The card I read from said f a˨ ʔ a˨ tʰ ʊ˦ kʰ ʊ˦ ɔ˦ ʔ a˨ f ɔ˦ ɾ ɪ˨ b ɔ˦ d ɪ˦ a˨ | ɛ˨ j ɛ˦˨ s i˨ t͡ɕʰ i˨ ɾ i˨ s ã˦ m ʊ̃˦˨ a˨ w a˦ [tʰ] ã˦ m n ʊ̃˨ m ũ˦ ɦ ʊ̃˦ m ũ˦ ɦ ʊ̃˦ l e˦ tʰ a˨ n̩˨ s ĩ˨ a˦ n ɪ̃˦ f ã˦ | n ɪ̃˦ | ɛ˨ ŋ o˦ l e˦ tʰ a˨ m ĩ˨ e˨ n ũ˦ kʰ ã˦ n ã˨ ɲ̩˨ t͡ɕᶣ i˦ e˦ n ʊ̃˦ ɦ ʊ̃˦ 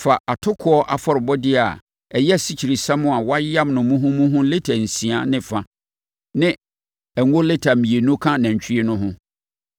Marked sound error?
yes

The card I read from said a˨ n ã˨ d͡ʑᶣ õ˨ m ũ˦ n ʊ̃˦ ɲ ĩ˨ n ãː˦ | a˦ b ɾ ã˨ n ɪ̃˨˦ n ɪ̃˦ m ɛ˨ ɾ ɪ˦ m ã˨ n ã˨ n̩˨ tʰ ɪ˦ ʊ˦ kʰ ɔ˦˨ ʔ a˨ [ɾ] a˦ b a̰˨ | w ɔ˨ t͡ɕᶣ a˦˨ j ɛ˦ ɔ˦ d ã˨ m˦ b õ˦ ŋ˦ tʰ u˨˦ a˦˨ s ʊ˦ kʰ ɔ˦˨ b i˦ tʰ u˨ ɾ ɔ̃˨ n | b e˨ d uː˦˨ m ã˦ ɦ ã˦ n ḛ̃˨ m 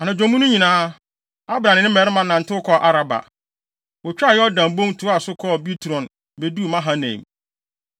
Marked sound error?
no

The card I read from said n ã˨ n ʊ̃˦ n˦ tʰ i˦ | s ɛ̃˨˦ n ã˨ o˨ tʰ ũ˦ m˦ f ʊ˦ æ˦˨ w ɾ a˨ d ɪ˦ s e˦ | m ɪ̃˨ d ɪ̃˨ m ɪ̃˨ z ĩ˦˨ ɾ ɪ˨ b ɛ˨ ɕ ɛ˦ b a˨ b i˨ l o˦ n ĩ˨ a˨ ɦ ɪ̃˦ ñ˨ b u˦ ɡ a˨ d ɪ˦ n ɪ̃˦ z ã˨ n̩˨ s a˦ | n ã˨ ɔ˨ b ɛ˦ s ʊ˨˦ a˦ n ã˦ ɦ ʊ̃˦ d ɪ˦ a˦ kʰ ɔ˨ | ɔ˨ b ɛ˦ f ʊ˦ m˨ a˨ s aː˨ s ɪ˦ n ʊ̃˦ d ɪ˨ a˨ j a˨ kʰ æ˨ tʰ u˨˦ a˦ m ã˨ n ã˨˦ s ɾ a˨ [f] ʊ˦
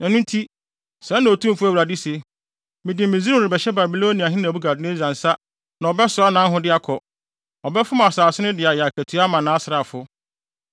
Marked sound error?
no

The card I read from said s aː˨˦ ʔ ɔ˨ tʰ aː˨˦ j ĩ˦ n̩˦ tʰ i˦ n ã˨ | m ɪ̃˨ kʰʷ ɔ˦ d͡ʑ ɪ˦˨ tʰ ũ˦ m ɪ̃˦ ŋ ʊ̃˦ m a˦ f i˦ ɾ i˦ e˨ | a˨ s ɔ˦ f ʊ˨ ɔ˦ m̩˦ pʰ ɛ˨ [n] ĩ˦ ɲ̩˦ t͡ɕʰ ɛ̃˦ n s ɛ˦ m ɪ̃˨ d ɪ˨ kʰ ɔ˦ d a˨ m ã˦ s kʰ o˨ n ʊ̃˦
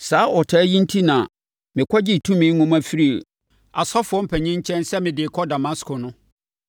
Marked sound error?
yes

